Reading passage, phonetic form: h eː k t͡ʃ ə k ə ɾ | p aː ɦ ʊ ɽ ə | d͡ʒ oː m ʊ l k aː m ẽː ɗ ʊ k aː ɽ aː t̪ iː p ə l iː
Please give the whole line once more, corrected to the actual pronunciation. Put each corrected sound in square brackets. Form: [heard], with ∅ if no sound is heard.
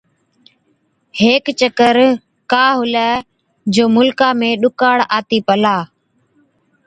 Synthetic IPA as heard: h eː k t͡ʃ ə k ə ɾ | [k] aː ɦ ʊ [l] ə | d͡ʒ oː m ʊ l k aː m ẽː ɗ ʊ k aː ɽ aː t̪ iː p ə l [aː]